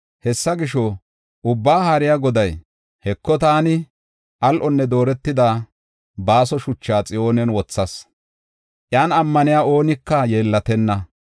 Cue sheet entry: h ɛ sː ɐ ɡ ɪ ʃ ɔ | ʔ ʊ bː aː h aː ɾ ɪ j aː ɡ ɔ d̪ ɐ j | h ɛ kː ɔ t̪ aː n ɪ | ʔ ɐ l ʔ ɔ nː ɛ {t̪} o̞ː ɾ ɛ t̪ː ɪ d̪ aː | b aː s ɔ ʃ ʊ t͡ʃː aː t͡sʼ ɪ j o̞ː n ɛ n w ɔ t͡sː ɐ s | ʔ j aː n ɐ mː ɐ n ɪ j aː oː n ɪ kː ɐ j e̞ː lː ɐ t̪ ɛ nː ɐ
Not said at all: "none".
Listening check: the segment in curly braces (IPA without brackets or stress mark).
d̪